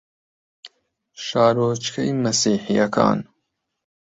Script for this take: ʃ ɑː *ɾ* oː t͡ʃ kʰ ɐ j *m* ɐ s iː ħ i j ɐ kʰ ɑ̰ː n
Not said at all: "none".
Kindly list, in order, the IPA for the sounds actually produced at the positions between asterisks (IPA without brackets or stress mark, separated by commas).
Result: ɾ, m